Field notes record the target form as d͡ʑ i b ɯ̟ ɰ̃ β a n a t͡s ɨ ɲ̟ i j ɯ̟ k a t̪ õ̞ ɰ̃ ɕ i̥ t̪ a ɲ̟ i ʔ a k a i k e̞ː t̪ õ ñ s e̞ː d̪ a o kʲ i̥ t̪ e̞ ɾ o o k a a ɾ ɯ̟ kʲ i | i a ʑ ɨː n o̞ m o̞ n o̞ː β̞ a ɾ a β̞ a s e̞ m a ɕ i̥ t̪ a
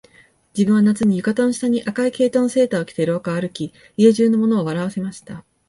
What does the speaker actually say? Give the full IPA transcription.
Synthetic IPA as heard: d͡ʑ i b ɯ̟ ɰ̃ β a n a t͡s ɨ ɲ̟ i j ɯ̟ k a t̪ õ̞ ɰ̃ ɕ i̥ t̪ a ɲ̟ i ʔ a k a i k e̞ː t̪ õ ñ s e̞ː t̪ a o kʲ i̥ t̪ e̞ ɾ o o k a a ɾ ɯ̟ kʲ i | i e ʑ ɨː n o̞ m o̞ n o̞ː β̞ a ɾ a β̞ a s e̞ m a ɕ i̥ t̪ a